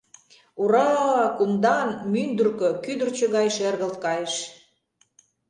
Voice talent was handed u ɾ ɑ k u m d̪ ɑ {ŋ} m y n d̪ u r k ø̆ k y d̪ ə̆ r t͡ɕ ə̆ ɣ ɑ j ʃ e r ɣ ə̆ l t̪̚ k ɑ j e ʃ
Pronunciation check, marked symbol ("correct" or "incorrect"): incorrect